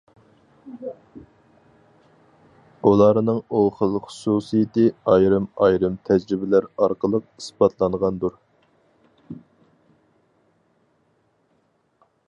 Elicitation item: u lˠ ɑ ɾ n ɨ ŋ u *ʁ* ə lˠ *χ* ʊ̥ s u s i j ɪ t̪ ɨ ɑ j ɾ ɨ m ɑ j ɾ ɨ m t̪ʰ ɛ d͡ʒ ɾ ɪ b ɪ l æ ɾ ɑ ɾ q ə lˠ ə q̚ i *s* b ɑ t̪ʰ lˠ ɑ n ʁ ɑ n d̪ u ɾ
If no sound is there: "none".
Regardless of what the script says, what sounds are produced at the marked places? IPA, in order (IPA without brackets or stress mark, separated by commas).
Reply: χ, χ, s